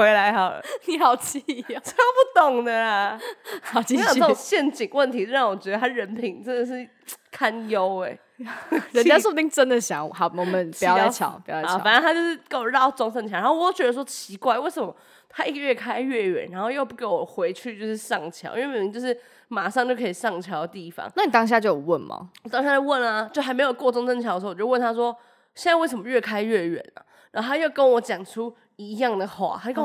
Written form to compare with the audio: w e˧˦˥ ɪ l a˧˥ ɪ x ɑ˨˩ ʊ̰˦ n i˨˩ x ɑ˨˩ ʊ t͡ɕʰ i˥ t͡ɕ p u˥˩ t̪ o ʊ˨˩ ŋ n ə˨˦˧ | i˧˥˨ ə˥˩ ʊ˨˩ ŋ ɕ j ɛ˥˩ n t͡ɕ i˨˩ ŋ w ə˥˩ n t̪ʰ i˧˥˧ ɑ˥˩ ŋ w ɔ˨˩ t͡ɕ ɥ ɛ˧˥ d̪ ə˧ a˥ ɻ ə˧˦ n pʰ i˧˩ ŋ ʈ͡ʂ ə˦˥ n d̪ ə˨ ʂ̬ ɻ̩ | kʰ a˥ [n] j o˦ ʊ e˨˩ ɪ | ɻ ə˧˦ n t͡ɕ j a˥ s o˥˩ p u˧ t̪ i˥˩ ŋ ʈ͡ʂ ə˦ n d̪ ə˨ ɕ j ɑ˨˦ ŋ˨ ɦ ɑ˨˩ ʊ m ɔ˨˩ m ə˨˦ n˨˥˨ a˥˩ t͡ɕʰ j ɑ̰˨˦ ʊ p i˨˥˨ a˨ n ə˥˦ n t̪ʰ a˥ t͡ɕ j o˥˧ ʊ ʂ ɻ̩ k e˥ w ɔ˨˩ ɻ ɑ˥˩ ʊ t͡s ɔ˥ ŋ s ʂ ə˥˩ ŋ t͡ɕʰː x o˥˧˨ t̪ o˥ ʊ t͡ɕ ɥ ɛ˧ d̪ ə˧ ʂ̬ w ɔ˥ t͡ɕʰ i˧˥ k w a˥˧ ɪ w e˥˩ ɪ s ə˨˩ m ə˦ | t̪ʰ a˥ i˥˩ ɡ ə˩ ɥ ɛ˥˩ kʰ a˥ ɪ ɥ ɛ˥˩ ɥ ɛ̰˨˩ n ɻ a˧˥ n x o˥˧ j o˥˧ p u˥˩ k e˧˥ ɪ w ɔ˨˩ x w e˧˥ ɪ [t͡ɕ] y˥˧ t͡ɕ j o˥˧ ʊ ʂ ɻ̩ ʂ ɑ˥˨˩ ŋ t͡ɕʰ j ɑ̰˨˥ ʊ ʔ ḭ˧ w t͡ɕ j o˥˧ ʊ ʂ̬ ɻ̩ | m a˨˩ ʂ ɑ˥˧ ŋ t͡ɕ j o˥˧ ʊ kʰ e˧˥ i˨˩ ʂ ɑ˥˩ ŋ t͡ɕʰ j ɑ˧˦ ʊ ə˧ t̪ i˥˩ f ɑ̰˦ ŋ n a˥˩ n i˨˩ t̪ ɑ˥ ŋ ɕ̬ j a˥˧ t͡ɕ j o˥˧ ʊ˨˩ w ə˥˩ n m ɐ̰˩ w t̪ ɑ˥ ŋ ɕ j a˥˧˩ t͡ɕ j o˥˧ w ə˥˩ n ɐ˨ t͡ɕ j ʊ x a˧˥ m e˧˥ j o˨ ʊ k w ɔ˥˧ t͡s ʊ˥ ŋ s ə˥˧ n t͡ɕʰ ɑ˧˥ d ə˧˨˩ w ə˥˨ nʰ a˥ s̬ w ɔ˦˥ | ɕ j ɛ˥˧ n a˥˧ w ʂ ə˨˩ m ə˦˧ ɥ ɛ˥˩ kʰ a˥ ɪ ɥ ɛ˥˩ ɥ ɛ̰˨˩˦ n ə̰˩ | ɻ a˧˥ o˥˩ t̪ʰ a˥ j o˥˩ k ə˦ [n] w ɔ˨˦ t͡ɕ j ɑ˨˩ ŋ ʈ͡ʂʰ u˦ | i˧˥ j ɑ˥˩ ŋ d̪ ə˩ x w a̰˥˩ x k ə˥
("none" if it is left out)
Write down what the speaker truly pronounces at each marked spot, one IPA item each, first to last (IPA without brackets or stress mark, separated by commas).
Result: n, t͡ɕʰ, n